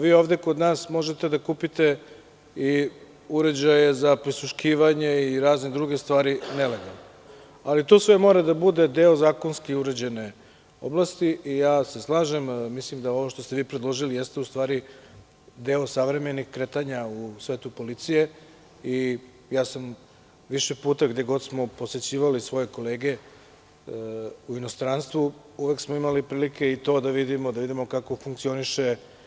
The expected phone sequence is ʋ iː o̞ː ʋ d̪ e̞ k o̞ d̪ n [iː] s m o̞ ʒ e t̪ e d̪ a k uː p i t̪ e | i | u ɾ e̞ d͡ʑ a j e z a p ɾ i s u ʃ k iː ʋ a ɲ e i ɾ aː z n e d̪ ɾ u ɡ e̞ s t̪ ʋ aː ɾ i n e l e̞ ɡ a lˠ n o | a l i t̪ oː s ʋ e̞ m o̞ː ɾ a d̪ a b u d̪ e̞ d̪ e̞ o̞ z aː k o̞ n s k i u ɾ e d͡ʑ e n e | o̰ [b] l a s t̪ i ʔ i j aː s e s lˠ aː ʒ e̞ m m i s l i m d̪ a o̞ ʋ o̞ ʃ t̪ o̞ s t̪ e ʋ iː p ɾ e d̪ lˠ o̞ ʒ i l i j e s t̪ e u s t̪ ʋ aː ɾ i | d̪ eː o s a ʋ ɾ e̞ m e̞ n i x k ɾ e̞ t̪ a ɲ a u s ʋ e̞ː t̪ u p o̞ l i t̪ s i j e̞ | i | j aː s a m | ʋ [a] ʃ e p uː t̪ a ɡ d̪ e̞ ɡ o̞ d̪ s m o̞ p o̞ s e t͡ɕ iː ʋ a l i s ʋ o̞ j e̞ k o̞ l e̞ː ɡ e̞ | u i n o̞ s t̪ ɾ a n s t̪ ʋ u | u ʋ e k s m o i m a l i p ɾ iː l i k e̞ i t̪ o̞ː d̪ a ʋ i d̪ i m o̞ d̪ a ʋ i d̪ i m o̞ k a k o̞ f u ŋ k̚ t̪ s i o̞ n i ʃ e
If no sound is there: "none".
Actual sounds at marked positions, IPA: aː, b, i

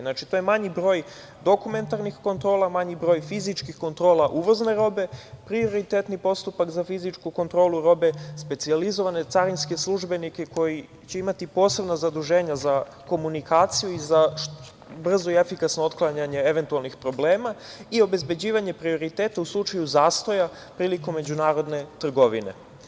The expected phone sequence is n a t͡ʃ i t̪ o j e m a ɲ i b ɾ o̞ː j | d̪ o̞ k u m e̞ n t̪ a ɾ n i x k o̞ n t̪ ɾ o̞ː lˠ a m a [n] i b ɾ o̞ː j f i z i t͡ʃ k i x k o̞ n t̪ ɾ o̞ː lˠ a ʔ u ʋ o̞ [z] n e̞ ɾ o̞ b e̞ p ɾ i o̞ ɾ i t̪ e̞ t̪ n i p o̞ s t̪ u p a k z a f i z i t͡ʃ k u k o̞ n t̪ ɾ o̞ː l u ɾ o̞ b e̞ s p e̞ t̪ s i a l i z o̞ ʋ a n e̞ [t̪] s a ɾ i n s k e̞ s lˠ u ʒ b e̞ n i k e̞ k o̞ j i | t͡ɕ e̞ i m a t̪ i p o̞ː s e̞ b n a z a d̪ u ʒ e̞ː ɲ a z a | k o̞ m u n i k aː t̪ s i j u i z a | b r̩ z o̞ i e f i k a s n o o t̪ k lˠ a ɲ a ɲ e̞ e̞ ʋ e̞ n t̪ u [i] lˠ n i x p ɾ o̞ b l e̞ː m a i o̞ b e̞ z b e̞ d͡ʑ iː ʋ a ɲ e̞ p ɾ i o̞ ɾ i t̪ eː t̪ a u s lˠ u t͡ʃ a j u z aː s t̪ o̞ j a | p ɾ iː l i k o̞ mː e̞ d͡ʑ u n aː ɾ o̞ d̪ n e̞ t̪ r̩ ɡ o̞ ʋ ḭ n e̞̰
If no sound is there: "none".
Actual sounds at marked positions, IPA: ɲ, z, t̪, a

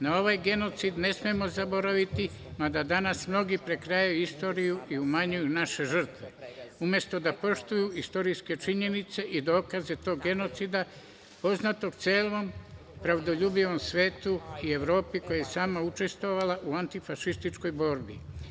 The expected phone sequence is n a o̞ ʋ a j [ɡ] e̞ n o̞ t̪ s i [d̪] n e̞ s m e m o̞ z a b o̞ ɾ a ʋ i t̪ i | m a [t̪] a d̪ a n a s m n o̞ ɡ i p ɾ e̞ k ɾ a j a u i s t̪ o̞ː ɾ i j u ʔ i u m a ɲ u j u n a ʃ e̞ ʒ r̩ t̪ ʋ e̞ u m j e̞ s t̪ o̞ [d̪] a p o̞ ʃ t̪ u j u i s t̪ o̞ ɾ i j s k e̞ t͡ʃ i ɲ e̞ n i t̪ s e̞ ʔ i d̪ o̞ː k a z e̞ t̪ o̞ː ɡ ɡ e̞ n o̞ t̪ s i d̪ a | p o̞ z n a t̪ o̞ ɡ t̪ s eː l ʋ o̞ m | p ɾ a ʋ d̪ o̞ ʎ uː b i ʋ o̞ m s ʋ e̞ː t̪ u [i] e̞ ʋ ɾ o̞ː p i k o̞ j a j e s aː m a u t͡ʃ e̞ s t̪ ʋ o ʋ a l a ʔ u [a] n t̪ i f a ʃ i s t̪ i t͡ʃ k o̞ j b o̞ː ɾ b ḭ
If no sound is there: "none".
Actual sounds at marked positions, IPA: ɡ, d̪, d̪, d̪, i, a

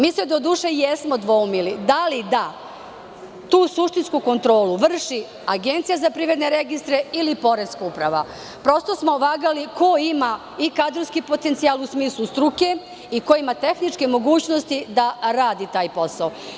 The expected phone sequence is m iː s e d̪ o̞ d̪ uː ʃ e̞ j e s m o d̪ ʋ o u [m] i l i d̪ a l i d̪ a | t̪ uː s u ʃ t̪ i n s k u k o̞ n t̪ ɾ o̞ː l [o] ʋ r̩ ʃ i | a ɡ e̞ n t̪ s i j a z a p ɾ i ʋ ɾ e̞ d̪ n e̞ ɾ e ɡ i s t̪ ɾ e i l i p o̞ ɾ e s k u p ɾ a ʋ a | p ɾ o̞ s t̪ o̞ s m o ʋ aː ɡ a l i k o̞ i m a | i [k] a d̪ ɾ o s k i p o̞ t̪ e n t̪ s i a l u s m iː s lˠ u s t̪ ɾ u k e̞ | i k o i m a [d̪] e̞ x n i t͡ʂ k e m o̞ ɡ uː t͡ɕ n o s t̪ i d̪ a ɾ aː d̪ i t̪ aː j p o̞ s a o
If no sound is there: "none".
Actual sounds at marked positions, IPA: m, u, k, t̪

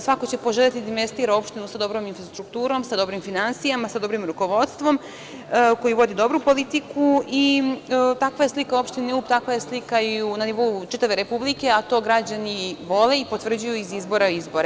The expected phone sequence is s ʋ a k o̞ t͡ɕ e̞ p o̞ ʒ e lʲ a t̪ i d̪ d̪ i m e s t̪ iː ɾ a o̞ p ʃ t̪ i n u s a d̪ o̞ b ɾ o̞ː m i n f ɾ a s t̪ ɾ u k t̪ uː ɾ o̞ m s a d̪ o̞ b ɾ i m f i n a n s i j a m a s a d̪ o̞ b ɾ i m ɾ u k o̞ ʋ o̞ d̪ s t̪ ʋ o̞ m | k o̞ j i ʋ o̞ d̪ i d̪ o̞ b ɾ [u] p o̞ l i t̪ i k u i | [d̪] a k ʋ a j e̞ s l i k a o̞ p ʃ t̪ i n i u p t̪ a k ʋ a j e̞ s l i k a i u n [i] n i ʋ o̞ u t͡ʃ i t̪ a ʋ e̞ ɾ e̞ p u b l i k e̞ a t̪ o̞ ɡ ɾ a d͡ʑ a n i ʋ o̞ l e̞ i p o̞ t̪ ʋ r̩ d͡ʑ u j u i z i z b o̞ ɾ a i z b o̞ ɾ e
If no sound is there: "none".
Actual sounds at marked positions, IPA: u, t̪, a

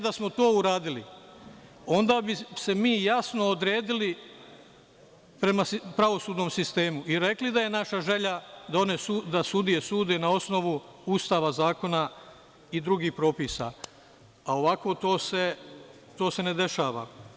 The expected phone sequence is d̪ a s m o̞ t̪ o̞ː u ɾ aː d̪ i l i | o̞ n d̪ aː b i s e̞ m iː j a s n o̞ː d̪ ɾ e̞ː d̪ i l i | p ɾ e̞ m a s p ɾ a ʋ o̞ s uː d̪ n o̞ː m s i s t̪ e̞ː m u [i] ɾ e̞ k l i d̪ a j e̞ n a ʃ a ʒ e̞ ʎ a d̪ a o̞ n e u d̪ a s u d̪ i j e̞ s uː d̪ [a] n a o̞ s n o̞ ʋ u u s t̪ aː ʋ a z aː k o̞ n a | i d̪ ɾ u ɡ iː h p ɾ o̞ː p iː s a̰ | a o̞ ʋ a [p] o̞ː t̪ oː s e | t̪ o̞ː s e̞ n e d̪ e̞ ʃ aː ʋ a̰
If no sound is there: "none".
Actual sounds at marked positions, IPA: i, e, k

